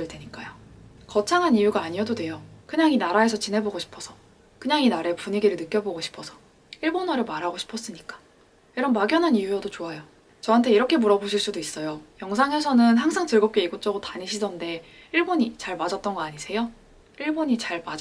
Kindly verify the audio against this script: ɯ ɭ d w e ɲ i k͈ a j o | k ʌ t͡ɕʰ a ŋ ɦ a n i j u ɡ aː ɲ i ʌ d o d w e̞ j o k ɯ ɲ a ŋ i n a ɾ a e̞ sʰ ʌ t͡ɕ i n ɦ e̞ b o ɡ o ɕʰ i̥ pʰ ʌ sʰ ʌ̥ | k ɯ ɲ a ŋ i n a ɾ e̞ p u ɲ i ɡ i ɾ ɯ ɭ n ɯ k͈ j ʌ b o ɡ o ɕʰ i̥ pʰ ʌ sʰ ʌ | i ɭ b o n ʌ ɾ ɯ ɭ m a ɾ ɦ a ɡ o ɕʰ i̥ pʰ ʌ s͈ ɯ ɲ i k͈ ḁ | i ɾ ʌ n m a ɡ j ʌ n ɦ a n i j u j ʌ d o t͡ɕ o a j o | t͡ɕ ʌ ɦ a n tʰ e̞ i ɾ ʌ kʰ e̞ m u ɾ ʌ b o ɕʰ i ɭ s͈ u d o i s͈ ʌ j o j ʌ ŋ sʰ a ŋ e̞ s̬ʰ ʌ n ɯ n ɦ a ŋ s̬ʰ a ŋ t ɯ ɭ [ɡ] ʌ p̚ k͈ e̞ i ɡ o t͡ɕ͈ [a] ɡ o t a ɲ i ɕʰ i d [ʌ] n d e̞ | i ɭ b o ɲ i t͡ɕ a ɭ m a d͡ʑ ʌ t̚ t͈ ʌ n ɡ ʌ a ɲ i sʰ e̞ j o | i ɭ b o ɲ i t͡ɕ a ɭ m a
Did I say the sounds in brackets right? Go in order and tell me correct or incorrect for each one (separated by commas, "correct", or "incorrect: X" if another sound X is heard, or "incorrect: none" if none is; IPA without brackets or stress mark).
correct, incorrect: ʌ, correct